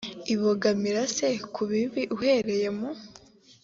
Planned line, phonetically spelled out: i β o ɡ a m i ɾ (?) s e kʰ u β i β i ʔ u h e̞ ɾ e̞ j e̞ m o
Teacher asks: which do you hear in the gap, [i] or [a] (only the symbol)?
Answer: a